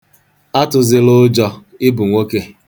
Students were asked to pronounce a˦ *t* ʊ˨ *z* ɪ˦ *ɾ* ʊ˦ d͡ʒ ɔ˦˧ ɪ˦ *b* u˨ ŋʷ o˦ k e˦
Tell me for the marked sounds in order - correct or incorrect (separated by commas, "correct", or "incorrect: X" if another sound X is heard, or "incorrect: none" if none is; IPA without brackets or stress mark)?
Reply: correct, correct, incorrect: l, correct